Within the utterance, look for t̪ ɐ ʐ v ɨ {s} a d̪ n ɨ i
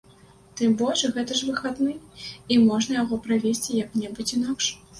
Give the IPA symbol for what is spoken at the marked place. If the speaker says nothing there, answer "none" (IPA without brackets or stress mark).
x